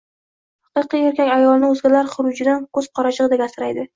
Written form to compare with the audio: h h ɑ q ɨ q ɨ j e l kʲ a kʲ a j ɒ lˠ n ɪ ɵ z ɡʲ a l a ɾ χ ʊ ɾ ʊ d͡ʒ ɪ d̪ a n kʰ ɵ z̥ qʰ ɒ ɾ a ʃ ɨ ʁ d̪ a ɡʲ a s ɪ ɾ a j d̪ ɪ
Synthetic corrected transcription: h h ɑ q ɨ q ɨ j e ɾ kʲ a kʲ a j ɒ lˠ n ɪ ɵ z ɡʲ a l a ɾ χ ʊ ɾ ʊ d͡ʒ ɪ d̪ a n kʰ ɵ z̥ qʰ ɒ ɾ a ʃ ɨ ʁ d̪ a ɡʲ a s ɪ ɾ a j d̪ ɪ

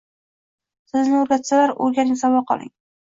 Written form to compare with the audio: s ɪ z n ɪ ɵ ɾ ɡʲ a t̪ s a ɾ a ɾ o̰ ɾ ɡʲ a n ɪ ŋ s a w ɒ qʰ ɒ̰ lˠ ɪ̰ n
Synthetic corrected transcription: s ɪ z n ɪ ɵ ɾ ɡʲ a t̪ s a l a ɾ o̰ ɾ ɡʲ a n ɪ ŋ s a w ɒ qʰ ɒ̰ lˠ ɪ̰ ŋ

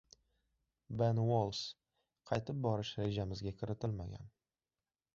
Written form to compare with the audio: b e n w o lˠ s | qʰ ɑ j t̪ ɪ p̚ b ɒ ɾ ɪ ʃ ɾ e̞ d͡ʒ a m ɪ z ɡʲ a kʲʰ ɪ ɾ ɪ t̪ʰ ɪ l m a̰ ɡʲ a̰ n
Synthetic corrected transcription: b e n w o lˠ s | qʰ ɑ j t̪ ɪ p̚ b ɒ ɾ ɪ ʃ ɾ e̞ d͡ʒ a m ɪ z ɡʲ a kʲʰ ɪ ɾ ɪ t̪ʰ ɪ l m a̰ ɡʲ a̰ n

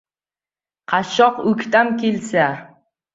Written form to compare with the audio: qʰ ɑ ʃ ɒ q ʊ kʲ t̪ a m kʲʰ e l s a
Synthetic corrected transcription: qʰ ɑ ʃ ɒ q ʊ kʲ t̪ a m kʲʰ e l s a

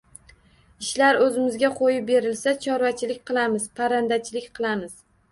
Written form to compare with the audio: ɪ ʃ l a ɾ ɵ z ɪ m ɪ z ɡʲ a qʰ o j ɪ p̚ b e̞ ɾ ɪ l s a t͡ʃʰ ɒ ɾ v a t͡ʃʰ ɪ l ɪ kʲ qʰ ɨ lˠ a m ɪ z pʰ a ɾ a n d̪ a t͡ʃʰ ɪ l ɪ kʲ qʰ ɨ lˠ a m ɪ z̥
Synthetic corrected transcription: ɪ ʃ l a ɾ ɵ z ɪ m ɪ z ɡʲ a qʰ o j ɪ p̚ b e̞ ɾ ɪ l s a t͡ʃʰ ɒ ɾ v a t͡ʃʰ ɪ l ɪ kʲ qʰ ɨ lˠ a m ɪ z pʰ a ɾ a n d̪ a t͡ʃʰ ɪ l ɪ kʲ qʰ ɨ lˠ a m ɪ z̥

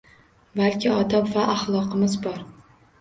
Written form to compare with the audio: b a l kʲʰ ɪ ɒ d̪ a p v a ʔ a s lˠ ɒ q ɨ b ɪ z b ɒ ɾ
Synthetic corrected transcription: b a l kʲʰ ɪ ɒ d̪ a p v a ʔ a χ lˠ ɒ q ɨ m ɪ z b ɒ ɾ

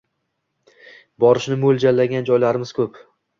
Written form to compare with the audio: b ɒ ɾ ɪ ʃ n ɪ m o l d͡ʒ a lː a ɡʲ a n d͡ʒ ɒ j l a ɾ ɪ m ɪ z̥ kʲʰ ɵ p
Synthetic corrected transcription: b ɒ ɾ ɪ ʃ n ɪ m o l d͡ʒ a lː a ɡʲ a n d͡ʒ ɒ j l a ɾ ɪ m ɪ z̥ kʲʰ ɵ p

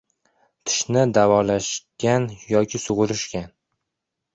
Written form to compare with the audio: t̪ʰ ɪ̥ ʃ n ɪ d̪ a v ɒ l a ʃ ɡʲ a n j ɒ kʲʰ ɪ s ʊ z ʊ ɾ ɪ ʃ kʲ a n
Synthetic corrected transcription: t̪ʰ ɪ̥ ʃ n ɪ d̪ a v ɒ l a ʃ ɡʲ a n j ɒ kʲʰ ɪ s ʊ ʁ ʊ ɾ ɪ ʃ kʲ a n

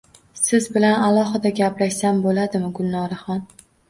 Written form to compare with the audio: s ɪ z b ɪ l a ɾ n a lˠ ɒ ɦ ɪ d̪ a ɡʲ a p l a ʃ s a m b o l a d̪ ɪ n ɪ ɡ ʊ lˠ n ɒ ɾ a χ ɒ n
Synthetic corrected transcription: s ɪ z b ɪ l a n a lˠ ɒ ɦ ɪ d̪ a ɡʲ a p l a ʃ s a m b o l a d̪ ɪ m ɪ ɡ ʊ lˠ n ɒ ɾ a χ ɒ n

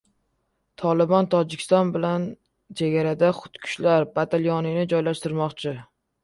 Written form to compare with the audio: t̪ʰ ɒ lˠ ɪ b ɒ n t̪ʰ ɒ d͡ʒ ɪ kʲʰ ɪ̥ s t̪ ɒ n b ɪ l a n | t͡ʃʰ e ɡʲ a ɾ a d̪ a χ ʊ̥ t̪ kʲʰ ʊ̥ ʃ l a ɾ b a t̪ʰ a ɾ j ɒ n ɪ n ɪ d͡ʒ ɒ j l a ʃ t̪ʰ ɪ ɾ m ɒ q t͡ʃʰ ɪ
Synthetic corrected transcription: t̪ʰ ɒ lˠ ɪ b ɒ n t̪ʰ ɒ d͡ʒ ɪ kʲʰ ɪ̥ s t̪ ɒ n b ɪ l a n | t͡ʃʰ e ɡʲ a ɾ a d̪ a χ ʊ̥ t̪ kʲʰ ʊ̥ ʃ l a ɾ b a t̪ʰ a l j ɒ n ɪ n ɪ d͡ʒ ɒ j l a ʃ t̪ ɪ ɾ m ɒ q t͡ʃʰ ɪ

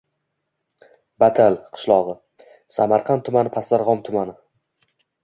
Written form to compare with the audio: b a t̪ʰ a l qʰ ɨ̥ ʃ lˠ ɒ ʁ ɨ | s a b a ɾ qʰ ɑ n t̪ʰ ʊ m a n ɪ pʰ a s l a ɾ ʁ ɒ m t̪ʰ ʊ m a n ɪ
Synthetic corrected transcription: b a t̪ʰ a l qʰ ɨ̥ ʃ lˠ ɒ ʁ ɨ | s a m a ɾ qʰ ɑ n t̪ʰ ʊ m a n ɪ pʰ a s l a ɾ ʁ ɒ m t̪ʰ ʊ m a n ɪ

